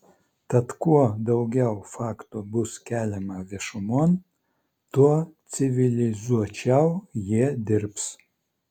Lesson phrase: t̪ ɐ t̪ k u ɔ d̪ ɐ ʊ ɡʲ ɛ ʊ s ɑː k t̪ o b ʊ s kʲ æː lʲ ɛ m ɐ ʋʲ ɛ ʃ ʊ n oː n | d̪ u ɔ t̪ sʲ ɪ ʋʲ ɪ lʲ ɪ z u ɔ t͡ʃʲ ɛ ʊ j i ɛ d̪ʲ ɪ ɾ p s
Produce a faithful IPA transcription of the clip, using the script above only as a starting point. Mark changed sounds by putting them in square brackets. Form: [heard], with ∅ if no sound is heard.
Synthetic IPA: t̪ ɐ t̪ k u ɔ d̪ ɐ ʊ ɡʲ ɛ ʊ [f] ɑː k t̪ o b ʊ s kʲ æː lʲ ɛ m ɐ ʋʲ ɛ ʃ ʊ [m] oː n | [t̪] u ɔ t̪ sʲ ɪ ʋʲ ɪ lʲ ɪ z u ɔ t͡ʃʲ ɛ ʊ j i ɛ d̪ʲ ɪ ɾ p s